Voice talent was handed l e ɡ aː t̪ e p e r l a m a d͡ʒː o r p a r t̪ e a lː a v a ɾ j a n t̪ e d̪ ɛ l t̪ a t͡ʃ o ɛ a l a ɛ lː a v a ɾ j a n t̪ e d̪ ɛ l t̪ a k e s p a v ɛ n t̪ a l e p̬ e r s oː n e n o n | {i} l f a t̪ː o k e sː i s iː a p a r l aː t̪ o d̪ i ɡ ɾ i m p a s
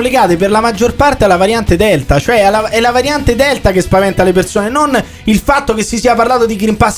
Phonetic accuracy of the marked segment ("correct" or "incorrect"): correct